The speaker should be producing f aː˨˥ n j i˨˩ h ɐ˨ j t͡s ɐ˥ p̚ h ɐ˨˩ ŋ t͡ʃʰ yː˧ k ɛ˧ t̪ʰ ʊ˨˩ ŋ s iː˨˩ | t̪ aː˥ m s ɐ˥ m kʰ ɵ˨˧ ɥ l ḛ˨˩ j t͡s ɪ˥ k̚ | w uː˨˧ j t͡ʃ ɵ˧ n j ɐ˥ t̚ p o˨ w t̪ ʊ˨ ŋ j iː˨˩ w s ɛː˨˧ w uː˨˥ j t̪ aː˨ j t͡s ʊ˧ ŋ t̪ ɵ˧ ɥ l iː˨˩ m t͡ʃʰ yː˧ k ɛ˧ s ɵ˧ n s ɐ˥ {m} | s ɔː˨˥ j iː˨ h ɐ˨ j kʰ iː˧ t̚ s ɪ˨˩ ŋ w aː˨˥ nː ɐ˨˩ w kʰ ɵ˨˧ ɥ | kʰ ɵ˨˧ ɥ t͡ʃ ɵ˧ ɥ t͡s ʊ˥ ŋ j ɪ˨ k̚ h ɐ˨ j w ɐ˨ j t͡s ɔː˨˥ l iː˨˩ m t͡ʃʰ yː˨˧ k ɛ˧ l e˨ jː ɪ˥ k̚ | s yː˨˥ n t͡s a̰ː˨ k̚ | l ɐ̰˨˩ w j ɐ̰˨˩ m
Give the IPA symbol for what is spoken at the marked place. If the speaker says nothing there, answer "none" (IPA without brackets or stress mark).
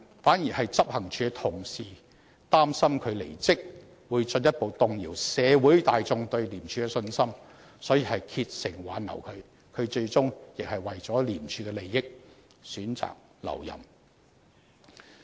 m